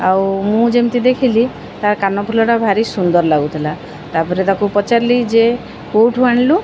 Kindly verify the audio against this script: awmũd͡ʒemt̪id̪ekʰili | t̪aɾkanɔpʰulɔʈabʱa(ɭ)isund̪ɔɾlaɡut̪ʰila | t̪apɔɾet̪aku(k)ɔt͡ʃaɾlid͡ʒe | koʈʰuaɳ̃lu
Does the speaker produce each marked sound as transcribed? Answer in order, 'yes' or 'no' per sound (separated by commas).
no, no